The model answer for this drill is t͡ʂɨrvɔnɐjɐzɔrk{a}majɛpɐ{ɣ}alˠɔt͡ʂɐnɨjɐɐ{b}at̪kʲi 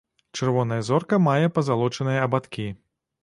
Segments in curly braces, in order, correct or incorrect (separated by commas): incorrect, incorrect, correct